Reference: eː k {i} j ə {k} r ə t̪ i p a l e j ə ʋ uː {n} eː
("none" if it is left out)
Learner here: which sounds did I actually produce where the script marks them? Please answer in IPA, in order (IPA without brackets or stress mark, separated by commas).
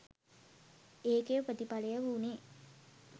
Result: e, p, n